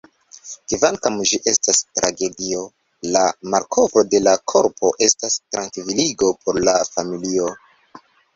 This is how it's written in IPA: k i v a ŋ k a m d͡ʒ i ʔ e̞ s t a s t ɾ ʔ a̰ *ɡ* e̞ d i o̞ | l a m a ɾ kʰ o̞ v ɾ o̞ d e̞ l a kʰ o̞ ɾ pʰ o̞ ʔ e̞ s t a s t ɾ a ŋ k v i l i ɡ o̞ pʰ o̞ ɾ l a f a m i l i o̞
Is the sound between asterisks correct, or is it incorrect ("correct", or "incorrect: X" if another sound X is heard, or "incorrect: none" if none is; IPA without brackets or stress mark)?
correct